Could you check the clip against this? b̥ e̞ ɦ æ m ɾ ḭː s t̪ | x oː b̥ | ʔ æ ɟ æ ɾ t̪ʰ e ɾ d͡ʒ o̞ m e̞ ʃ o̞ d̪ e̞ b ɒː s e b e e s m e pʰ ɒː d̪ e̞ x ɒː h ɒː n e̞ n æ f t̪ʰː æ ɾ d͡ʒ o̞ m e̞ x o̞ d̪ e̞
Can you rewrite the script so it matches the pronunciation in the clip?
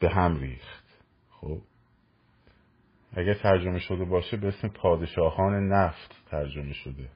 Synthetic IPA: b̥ e̞ ɦ æ m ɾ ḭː x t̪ | x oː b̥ | ʔ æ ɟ æ ɾ t̪ʰ æ ɾ d͡ʒ o̞ m e̞ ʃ o̞ d̪ e̞ b ɒː ʃ e b e e s m e pʰ ɒː d̪ e̞ ʃ ɒː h ɒː n e̞ n æ f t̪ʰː æ ɾ d͡ʒ o̞ m e̞ ʃ o̞ d̪ e̞